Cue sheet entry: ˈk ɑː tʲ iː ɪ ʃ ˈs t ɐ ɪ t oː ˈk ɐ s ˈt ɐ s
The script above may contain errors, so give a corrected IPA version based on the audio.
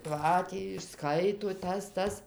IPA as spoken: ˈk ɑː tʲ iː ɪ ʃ ˈs k ɐ ɪ t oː ˈt ɐ s ˈt ɐ s